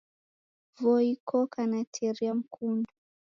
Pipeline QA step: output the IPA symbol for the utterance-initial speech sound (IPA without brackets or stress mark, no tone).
v